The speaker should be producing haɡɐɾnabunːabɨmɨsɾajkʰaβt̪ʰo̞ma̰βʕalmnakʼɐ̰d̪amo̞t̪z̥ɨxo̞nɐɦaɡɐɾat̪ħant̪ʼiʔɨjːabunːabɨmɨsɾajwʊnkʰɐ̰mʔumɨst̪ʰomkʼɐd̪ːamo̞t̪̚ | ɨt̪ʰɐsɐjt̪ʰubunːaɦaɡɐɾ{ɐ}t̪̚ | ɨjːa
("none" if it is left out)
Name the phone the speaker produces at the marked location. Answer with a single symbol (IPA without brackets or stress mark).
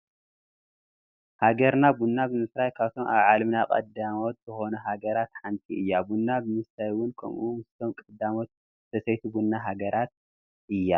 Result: a